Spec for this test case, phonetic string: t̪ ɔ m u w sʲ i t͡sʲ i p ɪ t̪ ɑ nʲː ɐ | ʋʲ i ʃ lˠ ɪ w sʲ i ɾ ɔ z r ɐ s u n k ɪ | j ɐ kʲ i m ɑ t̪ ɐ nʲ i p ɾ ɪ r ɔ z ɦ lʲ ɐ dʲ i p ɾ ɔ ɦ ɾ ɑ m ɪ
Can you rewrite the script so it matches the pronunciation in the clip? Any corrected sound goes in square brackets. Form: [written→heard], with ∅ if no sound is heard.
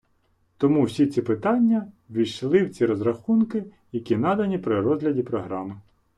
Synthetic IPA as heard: t̪ ɔ m u w sʲ i t͡sʲ i p ɪ t̪ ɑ nʲː ɐ | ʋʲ i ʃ lˠ ɪ w [sʲ→t͡sʲ] i ɾ ɔ z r ɐ [s→x] u n k ɪ | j ɐ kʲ i [m→n] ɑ [t̪→d̪] ɐ nʲ i p ɾ ɪ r ɔ z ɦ lʲ ɐ dʲ i p ɾ ɔ ɦ ɾ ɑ m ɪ